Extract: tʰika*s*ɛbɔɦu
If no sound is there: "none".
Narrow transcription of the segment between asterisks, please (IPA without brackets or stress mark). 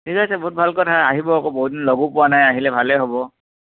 s